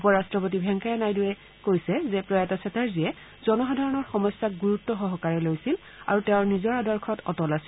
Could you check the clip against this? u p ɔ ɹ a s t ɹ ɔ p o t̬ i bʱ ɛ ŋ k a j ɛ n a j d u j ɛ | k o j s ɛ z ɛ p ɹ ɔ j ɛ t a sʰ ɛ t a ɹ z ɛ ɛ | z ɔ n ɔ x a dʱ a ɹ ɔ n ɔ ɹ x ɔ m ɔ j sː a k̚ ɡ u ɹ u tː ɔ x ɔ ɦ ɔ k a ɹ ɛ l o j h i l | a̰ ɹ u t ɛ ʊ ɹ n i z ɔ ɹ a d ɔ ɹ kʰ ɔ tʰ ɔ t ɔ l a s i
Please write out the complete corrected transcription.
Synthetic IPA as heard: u p ɔ ɹ a s t ɹ ɔ p o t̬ i bʱ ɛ ŋ k a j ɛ n a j d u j ɛ | k o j s ɛ z ɛ p ɹ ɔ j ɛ t a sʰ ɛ t a ɹ z i ɛ | z ɔ n ɔ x a dʱ a ɹ ɔ n ɔ ɹ x ɔ m ɔ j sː a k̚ ɡ u ɹ u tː ɔ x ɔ ɦ ɔ k a ɹ ɛ l o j s i l | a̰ ɹ u t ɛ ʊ ɹ n i z ɔ ɹ a d ɔ ɹ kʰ ɔ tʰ ɔ t ɔ l a s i